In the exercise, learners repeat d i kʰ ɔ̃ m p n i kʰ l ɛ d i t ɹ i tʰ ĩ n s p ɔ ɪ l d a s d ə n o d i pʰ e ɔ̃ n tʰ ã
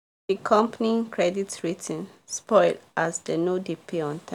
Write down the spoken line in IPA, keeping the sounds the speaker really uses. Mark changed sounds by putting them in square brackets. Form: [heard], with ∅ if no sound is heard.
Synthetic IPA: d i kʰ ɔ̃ m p n i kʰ [ɹ] ɛ d i t ɹ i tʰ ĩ n s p ɔ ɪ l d a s d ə n o d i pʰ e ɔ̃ n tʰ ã